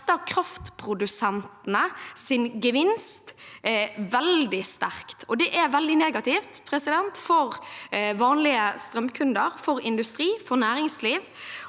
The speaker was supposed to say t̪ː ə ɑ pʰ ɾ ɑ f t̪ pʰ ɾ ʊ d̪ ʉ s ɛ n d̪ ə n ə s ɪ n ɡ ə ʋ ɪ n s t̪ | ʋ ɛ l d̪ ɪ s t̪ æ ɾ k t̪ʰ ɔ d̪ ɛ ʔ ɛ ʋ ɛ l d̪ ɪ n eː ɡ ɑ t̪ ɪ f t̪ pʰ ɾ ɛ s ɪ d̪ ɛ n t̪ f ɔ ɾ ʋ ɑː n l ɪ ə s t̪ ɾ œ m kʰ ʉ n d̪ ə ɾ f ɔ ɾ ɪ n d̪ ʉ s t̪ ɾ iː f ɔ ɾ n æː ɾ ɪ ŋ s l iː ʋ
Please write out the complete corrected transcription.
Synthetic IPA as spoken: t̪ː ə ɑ kʰ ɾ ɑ f t̪ pʰ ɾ ʊ d̪ ʉ s ɛ n t̪ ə n ə s ɪ n ɡ ə ʋ ɪ n s t̪ | ʋ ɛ l d̪ ɪ s t̪ æ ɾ k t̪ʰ ɔ d̪ ɛ ʔ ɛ ʋ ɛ l d̪ ɪ n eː ɡ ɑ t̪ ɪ f t̪ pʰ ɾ ɛ s ɪ d̪ ɛ n t̪ f ɔ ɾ ʋ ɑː n l ɪ ə s t̪ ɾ œ m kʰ ʉ n d̪ ə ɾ f ɔ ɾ ɪ n d̪ ʉ s t̪ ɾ iː f ɔ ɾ n æː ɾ ɪ ŋ s l iː ʋ